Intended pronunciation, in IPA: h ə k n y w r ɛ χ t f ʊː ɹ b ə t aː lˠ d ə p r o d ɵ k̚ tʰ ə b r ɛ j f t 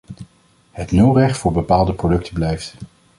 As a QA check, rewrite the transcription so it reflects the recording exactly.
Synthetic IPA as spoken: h ə t n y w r ɛ χ t f ʊː ɹ b ə p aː lˠ d ə p r o d ɵ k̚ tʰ ə b l ɛ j f t